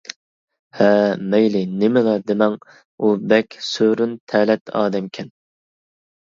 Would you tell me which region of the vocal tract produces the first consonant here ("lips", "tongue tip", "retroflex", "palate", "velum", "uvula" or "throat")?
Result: throat